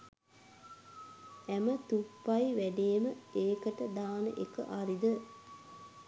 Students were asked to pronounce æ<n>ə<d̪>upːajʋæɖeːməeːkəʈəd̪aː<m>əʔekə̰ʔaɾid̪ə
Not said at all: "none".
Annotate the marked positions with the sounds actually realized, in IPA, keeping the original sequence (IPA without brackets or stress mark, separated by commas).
m, t̪, n